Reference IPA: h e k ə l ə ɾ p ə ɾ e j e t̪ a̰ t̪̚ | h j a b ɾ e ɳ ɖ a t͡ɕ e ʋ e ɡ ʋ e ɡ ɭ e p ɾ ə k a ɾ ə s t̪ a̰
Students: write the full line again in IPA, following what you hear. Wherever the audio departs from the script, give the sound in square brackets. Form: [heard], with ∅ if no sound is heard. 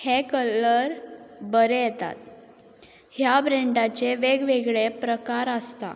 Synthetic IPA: h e k ə l ə ɾ [b] ə ɾ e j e t̪ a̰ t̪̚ | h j a b ɾ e ɳ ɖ a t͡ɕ e ʋ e ɡ ʋ e ɡ ɭ e p ɾ ə k a ɾ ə s t̪ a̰